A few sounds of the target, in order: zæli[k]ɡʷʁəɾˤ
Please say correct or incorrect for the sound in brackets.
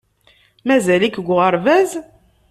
correct